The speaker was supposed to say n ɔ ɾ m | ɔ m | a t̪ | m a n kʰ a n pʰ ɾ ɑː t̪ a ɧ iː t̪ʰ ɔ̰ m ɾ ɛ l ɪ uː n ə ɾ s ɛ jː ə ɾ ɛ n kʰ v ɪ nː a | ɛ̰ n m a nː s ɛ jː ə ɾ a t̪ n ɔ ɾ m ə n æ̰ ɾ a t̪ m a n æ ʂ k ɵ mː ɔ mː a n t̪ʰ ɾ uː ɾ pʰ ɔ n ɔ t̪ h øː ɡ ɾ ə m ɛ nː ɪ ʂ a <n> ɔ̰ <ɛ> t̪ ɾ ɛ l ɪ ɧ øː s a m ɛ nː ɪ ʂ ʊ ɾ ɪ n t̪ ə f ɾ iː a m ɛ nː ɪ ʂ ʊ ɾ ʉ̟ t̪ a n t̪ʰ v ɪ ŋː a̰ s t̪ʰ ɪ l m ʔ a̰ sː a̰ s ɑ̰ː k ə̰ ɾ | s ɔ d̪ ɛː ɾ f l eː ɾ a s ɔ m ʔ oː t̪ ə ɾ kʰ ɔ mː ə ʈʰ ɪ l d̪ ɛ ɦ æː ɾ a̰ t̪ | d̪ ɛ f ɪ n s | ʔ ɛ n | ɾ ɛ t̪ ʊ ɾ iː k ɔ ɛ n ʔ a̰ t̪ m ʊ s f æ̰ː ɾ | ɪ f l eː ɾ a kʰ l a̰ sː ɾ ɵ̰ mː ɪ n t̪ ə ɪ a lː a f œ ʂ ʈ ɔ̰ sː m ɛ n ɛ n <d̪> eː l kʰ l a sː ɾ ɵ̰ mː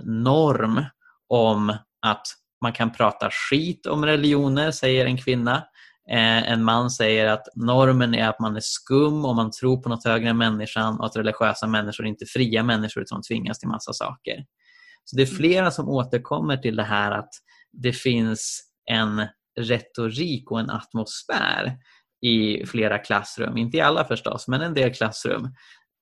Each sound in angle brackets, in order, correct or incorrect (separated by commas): correct, incorrect, correct